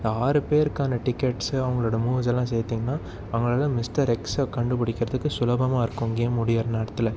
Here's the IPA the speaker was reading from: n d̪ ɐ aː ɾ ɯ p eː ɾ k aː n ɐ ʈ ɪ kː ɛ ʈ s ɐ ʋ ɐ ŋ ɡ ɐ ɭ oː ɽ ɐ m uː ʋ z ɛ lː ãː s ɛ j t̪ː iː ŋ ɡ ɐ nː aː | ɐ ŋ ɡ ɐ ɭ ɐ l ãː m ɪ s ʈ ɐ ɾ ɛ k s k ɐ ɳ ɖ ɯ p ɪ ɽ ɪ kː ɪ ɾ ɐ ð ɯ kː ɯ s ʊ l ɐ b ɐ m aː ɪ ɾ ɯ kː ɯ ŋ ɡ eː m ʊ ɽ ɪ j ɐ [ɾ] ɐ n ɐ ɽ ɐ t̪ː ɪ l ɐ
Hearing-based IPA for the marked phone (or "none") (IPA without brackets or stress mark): ɾ